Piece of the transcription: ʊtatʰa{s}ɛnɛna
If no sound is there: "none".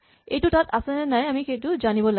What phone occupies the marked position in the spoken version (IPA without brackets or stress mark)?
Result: s